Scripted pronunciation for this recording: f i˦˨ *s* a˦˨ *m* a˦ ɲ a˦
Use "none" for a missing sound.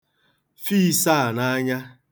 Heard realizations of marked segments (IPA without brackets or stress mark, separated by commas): s, n